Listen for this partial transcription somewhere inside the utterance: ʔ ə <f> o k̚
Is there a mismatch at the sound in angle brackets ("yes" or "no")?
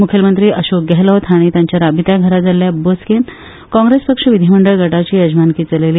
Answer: yes